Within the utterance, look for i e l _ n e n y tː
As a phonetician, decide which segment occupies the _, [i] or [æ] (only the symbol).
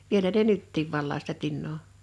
æ